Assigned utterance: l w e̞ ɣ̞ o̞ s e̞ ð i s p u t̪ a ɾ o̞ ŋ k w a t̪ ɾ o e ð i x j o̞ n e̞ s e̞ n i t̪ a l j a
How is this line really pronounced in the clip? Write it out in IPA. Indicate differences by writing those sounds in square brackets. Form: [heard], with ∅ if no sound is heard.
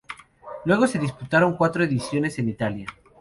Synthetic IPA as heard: l w e̞ ɣ̞ o̞ s e̞ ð i s p u t̪ a ɾ o̞ ŋ k w a t̪ ɾ o e ð i [s] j o̞ n e̞ s e̞ n i t̪ a l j a